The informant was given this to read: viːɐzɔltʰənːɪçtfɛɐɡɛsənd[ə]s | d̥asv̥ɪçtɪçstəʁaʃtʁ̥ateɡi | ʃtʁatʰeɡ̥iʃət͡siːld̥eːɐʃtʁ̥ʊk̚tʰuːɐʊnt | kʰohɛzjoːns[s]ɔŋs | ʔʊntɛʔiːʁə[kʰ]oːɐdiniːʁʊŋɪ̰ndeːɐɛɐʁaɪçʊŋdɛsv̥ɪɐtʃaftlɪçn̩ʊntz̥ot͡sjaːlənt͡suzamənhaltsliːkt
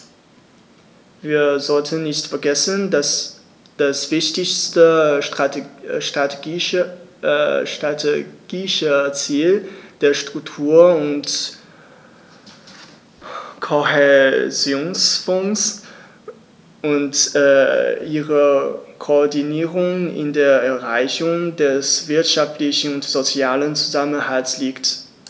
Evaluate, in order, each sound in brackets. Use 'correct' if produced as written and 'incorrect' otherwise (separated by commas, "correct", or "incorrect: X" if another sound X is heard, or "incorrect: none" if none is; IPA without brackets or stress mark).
incorrect: a, incorrect: f, correct